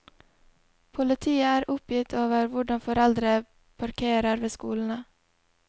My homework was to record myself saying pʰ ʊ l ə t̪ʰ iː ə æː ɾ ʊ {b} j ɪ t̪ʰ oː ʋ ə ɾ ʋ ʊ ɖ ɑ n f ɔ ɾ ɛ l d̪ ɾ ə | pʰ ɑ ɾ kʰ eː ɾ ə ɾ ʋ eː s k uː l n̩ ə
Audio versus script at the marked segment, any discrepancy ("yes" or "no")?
yes